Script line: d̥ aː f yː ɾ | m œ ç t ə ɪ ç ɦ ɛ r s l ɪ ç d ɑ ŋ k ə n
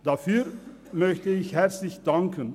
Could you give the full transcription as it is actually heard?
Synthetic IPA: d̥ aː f yː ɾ | m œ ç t ə ɪ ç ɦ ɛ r s l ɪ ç d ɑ ŋ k ə n

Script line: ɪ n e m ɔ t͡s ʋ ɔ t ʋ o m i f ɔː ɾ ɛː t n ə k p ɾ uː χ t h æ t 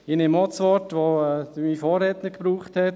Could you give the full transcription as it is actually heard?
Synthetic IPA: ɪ n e m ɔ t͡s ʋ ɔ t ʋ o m i f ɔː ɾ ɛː t n ə k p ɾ uː χ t h ɛ t

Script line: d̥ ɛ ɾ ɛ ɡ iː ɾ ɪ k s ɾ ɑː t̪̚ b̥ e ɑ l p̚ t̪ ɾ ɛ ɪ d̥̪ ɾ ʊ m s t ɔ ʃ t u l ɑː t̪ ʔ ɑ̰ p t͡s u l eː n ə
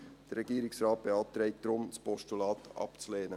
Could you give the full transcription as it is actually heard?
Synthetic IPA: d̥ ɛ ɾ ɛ ɡ iː ɾ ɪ k s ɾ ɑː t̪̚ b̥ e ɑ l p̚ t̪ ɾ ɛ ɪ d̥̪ ɾ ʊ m s p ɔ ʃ t u l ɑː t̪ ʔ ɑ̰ p t͡s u l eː n ə

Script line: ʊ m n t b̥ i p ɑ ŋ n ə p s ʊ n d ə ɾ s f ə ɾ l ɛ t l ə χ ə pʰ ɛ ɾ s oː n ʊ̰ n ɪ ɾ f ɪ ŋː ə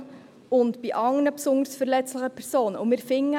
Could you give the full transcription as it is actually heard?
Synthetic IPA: ʊ n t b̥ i ʔ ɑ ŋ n ə p s ʊ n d ə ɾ s f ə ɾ l ɛ t͡s l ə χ ə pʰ ɛ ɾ s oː n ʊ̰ m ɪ ɾ f ɪ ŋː ə

